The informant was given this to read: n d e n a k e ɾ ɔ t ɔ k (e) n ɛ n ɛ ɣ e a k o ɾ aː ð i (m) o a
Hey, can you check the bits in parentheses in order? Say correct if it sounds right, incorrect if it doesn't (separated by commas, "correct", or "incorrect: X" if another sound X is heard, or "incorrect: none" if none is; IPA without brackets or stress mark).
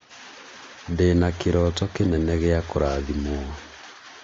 correct, correct